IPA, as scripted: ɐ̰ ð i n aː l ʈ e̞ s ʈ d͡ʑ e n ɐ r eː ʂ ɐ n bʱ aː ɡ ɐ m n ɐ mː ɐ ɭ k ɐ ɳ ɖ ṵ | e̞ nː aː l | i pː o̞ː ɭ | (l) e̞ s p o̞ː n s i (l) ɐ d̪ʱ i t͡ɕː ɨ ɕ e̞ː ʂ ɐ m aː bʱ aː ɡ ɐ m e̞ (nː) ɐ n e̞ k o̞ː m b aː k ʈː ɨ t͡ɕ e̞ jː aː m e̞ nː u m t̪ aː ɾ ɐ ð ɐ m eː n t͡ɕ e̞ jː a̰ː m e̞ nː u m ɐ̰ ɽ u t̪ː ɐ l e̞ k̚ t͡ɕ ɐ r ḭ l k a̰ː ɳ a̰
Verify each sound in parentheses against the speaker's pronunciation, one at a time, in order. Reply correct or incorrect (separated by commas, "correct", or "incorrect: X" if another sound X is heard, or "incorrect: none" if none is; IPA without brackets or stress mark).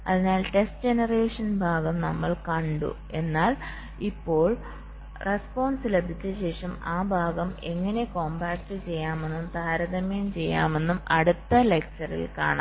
incorrect: r, correct, incorrect: ŋː